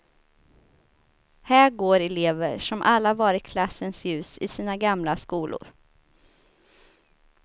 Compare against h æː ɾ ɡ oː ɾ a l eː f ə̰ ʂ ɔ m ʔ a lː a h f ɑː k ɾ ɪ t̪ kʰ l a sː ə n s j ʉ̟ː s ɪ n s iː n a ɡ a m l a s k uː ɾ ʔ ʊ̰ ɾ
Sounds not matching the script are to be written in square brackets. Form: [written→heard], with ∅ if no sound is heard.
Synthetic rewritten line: h æː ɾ ɡ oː ɾ [a→ɛ] l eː [f→v] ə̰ ʂ ɔ m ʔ a lː a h [f→v] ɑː [k→∅] ɾ ɪ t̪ kʰ l a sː ə n s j ʉ̟ː s ɪ [n→∅] s iː n a ɡ a m l a s k uː [ɾ→l] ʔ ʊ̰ ɾ

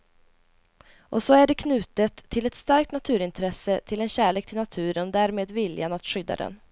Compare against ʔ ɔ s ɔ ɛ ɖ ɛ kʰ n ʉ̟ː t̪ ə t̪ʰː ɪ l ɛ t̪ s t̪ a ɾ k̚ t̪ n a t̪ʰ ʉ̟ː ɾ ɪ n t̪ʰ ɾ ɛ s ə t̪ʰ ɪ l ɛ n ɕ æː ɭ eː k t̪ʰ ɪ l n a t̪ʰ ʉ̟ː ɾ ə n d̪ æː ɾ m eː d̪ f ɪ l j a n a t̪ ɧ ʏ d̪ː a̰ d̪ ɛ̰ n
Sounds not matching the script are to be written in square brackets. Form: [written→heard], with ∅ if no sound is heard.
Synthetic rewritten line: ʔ ɔ s ɔ [ɛ→æ] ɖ ɛ kʰ n ʉ̟ː t̪ ə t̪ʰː ɪ l ɛ t̪ s t̪ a ɾ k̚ t̪ n a t̪ʰ ʉ̟ː ɾ ɪ n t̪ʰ ɾ ɛ s ə t̪ʰ ɪ l ɛ n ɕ æː ɭ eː k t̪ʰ ɪ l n a t̪ʰ ʉ̟ː ɾ ə n d̪ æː ɾ m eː d̪ [f→v] ɪ l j a n a t̪ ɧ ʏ d̪ː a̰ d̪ ɛ̰ n

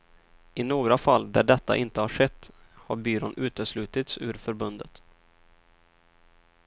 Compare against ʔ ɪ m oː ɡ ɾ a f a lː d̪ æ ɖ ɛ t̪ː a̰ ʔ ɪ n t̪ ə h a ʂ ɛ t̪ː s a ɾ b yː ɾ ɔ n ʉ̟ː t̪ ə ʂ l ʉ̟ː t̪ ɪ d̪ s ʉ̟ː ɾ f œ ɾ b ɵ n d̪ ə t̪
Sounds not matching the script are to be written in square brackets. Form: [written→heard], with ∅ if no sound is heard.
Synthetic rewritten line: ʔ ɪ [m→n] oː ɡ ɾ a f a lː d̪ æ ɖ ɛ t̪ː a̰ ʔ ɪ n t̪ ə h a ʂ ɛ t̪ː [s→h] a ɾ b yː ɾ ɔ n ʉ̟ː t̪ ə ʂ l ʉ̟ː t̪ ɪ [d̪→t̪] s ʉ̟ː ɾ f œ ɾ b ɵ n d̪ ə t̪

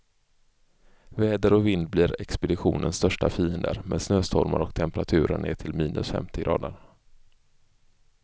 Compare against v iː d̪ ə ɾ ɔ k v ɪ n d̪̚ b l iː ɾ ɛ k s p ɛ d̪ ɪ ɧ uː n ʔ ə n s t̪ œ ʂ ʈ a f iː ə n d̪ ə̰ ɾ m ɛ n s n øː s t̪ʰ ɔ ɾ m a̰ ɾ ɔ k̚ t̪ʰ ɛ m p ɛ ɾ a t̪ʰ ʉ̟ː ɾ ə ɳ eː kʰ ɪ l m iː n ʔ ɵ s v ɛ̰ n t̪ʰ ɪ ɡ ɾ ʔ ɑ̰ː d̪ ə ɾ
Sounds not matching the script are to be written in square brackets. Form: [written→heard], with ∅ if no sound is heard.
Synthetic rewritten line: v [iː→ɛː] d̪ ə ɾ ɔ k v ɪ n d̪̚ b l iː ɾ ɛ k s p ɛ d̪ ɪ ɧ uː n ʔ ə n s t̪ œ ʂ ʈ a f iː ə n d̪ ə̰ ɾ m ɛ n s n øː s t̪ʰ ɔ ɾ m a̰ ɾ ɔ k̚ t̪ʰ ɛ m p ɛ ɾ a t̪ʰ ʉ̟ː ɾ ə ɳ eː [kʰ→ʈʰ] ɪ l m iː n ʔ ɵ s [v→f] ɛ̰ [n→m] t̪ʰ ɪ ɡ ɾ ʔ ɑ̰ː d̪ ə ɾ

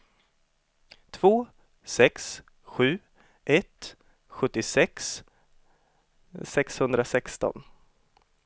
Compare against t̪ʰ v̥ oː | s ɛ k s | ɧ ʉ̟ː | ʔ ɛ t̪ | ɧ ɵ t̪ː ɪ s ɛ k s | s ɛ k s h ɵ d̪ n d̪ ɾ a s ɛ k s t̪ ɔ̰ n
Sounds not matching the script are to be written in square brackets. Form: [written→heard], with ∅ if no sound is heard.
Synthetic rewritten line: t̪ʰ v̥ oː | s ɛ k s | ɧ ʉ̟ː | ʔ ɛ t̪ | ɧ ɵ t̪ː ɪ s ɛ k s | s ɛ k s h ɵ [d̪→∅] n d̪ ɾ a s ɛ k s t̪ ɔ̰ n

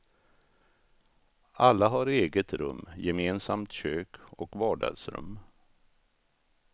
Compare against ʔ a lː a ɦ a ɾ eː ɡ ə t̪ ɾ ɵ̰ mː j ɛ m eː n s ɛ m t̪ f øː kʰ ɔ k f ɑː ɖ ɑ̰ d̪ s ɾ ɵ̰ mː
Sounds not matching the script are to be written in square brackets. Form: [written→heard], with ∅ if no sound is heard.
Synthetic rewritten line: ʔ a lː a ɦ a ɾ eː ɡ ə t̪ ɾ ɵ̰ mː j ɛ m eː n s [ɛ→a] m t̪ [f→ɕ] øː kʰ ɔ k [f→v] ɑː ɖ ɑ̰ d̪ s ɾ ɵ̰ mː

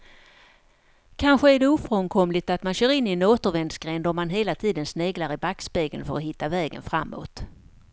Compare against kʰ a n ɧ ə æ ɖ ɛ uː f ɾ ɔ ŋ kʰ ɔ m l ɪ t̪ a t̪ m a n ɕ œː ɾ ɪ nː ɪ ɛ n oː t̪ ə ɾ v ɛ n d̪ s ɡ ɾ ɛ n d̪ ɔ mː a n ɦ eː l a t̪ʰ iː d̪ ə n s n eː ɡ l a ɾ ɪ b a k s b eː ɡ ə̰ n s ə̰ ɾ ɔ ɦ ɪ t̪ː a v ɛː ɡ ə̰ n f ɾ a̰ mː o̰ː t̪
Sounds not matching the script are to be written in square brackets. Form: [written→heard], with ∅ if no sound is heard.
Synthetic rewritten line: kʰ a n ɧ ə æ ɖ ɛ uː f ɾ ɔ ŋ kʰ ɔ m l ɪ t̪ a t̪ m a n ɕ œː ɾ ɪ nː ɪ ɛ n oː t̪ ə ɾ v ɛ n d̪ s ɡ ɾ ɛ n d̪ ɔ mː a n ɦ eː l a t̪ʰ iː d̪ ə n s n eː ɡ l a ɾ ɪ b a k s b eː ɡ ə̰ n [s→f] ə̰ ɾ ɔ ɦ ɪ t̪ː a v ɛː ɡ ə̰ n f ɾ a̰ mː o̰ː t̪

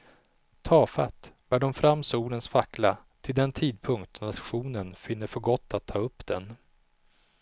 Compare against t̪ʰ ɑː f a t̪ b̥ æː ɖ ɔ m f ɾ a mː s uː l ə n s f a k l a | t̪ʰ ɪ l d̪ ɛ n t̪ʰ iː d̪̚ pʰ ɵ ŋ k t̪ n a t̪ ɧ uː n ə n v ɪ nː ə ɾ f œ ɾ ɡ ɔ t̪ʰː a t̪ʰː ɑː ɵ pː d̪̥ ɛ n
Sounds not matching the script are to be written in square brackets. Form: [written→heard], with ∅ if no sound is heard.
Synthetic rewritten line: t̪ʰ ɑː f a t̪ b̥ æː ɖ ɔ m f ɾ a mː s uː l ə n s f a k l a | t̪ʰ ɪ l d̪ ɛ n t̪ʰ iː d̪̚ pʰ ɵ ŋ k t̪ n a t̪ ɧ uː n ə n [v→f] ɪ nː ə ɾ f œ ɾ ɡ ɔ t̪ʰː a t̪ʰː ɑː ɵ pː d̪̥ ɛ n

